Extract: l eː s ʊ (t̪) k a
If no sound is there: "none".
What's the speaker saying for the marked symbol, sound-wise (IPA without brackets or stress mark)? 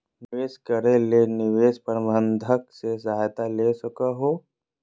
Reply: none